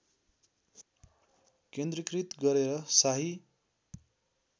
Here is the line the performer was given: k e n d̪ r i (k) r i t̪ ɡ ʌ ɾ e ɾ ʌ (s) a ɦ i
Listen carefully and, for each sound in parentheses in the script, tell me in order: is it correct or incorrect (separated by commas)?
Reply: correct, correct